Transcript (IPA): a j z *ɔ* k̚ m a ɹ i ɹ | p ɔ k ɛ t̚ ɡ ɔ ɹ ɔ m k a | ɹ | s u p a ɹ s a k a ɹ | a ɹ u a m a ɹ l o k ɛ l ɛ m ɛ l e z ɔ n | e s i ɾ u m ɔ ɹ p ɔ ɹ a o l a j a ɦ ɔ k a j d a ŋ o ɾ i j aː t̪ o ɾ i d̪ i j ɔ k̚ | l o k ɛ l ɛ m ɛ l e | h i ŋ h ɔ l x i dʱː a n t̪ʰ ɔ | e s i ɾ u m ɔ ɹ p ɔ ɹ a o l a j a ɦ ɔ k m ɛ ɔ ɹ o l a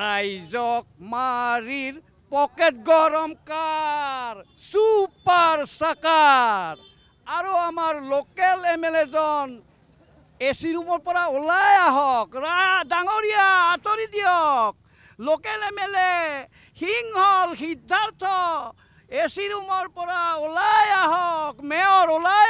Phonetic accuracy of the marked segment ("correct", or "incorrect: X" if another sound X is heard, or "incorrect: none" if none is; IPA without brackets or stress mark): correct